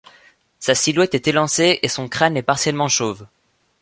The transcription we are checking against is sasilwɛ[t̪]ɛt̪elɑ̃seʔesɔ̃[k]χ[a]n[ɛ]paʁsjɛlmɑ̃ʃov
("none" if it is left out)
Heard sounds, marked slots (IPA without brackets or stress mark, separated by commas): t̪, k, a, ɛ